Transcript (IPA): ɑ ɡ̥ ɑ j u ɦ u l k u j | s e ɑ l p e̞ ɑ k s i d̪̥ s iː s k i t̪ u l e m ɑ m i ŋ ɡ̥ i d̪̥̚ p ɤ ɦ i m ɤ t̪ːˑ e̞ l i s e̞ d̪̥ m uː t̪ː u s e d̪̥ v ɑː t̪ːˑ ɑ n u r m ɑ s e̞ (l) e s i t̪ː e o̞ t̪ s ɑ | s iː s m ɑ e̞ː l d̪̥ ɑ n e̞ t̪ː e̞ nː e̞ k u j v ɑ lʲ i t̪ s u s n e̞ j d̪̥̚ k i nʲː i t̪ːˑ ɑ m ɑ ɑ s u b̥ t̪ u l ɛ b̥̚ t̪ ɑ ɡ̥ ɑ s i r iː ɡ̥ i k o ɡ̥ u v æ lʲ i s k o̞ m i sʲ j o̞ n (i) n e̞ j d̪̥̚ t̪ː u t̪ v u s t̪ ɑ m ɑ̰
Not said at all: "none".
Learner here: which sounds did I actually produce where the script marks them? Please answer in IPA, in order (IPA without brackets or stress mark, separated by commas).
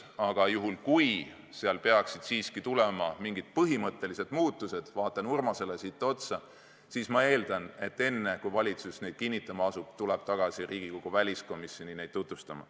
l, i